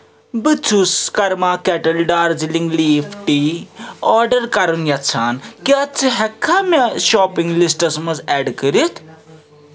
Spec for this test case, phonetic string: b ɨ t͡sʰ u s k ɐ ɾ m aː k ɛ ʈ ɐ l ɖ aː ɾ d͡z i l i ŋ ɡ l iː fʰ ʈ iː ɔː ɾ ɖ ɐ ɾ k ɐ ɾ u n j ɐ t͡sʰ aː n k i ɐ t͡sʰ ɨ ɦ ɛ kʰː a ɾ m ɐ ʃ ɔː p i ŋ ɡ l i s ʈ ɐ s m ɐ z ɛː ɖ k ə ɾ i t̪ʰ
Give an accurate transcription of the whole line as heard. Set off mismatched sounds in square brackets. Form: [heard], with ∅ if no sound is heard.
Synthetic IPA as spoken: b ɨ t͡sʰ u s k ɐ ɾ m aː k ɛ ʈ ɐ l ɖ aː ɾ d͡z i l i ŋ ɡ l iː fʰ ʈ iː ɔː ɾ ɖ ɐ ɾ k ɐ ɾ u n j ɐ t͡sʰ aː n k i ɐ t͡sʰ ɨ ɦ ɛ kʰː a [∅] m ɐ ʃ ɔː p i ŋ ɡ l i s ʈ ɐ s m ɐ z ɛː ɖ k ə ɾ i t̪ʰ